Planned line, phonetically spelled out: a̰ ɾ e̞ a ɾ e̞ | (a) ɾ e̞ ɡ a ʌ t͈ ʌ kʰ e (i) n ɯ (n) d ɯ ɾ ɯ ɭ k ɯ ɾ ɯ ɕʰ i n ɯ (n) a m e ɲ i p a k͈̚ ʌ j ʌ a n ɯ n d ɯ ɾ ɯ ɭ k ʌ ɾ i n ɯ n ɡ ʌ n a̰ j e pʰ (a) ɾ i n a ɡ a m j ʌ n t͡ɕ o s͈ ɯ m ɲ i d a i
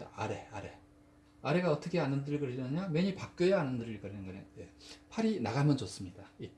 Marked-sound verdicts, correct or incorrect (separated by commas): correct, incorrect, correct, incorrect, correct